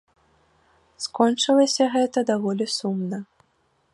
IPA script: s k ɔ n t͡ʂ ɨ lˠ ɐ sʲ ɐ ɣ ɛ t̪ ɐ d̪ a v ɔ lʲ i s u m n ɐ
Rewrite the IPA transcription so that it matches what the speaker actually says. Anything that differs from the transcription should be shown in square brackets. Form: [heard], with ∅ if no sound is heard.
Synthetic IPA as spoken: s k ɔ n t͡ʂ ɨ lˠ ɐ sʲ ɐ ɣ ɛ t̪ ɐ d̪ a v ɔ lʲ i s u m n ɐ